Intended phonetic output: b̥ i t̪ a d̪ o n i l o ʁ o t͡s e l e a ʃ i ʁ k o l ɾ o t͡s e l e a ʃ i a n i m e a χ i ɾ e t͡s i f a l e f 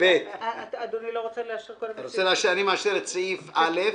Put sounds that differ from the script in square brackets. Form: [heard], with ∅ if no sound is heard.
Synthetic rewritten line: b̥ [e] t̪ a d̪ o n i l o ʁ o t͡s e l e a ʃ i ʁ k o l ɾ o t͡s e l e a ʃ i a n i m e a [ʃ] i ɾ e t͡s i f a l e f